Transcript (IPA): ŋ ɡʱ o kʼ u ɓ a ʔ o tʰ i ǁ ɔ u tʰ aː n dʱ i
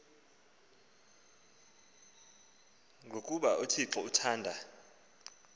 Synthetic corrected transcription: ŋ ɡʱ o kʼ u ɓ a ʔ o tʰ i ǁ ɔ u tʰ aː n dʱ a